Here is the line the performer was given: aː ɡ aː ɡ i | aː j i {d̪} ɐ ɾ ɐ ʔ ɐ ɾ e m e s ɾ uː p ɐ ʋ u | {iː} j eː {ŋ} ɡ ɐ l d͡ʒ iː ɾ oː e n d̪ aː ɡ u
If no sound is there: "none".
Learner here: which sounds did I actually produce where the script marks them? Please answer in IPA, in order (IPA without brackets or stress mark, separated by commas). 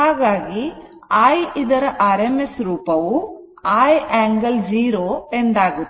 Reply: d̪, aː, ŋ